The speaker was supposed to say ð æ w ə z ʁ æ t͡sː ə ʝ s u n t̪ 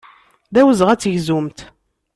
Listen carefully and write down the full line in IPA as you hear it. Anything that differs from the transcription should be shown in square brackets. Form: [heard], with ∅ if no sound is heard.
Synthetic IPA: ð æ w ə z ʁ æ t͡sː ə ʝ [z] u [m] t̪